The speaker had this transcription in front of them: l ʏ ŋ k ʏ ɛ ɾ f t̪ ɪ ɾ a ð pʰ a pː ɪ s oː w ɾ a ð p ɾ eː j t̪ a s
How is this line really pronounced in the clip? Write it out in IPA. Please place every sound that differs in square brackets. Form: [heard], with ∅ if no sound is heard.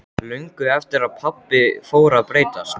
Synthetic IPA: l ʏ ŋ k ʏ ɛ [∅] f t̪ ɪ ɾ a ð pʰ a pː ɪ [f] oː w ɾ a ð p ɾ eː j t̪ a s